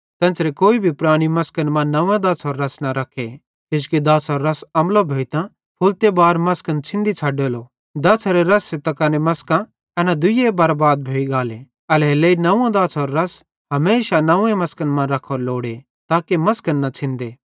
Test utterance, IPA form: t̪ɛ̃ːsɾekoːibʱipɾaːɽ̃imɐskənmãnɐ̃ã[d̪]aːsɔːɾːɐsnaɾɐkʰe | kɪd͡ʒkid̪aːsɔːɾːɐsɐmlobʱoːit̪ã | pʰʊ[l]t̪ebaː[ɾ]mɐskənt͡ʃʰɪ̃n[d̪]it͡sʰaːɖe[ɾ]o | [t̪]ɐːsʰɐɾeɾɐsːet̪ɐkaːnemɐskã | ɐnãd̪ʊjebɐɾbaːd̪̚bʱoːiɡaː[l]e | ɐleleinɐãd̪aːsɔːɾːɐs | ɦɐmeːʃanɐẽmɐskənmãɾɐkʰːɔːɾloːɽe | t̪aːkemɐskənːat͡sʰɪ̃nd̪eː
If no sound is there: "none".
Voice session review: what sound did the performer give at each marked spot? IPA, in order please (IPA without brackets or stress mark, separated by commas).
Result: d̪, l, ɾ, d̪, l, d̪, l